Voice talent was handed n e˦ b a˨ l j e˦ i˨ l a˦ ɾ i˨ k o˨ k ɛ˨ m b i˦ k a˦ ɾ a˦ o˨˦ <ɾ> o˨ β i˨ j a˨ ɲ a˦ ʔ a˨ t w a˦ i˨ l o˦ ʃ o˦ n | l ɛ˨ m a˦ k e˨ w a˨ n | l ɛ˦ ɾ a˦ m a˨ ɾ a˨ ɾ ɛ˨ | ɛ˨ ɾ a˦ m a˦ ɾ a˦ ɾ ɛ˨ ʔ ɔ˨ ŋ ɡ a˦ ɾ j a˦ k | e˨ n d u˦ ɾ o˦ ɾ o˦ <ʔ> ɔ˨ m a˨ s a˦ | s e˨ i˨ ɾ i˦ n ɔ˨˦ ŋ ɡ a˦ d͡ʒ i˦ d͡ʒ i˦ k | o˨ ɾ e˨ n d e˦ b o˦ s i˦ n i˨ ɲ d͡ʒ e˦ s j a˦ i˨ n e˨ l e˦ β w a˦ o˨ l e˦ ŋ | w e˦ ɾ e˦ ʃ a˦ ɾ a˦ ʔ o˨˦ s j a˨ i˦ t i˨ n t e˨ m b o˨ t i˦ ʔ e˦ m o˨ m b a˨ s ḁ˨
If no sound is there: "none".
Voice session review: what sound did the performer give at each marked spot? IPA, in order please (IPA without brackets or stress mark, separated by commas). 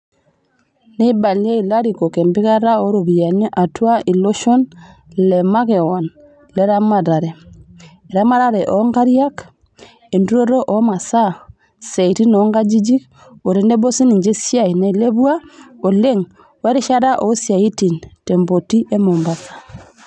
ɾ, ʔ